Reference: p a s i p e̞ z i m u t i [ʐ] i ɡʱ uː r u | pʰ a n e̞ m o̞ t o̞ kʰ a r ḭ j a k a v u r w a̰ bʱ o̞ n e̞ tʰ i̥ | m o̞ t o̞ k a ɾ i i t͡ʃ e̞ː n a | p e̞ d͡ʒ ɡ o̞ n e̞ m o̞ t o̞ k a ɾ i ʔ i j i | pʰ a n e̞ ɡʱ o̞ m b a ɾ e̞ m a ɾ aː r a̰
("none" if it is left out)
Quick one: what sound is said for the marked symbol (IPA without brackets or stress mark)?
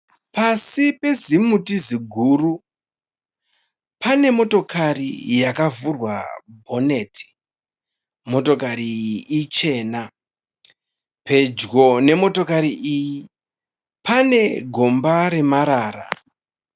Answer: z